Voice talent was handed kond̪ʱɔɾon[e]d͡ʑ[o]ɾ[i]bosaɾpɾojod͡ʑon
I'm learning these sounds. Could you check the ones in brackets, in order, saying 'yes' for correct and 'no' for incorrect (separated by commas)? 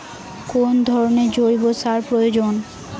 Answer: yes, yes, yes